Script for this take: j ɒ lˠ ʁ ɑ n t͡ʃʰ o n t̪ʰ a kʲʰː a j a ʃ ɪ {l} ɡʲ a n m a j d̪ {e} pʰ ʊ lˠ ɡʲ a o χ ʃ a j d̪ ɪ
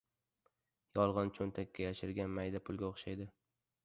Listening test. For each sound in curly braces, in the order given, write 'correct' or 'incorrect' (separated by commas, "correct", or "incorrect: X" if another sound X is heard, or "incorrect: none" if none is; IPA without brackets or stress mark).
incorrect: ɾ, incorrect: a